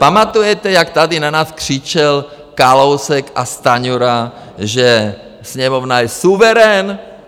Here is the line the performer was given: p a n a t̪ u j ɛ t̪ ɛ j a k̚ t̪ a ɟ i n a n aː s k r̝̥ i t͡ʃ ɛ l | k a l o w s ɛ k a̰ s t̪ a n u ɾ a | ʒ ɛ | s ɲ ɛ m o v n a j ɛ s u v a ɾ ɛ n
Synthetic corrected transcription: p a m a t̪ u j ɛ t̪ ɛ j a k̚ t̪ a d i n a n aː s k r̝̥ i t͡ʃ ɛ l | k a l o w s ɛ k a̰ s t̪ a ɲ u ɾ a | ʒ ɛ | s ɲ ɛ m o v n a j ɛ s u v ɛ ɾ ɛ n